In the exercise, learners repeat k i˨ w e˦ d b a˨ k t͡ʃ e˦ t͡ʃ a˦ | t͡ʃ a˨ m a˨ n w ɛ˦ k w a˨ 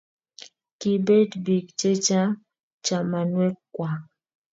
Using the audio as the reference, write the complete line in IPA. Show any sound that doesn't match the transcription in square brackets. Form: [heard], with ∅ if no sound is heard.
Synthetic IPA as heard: k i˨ [b] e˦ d b [i˨] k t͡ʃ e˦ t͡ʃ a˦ | t͡ʃ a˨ m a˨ n w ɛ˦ k w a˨